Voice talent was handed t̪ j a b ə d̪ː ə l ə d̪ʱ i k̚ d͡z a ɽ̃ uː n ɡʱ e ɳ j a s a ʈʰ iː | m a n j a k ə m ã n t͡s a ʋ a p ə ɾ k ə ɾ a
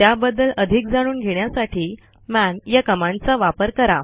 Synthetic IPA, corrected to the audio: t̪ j a b ə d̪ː ə l ə d̪ʱ i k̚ d͡z a ɽ̃ uː n ɡʱ e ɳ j a s a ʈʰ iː | m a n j a k ə m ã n t͡s a ʋ a p ə ɾ k ə ɾ a